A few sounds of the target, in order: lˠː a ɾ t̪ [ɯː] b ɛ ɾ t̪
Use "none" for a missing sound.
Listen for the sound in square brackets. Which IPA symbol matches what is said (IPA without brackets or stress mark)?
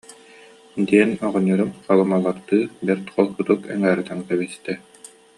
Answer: ɯː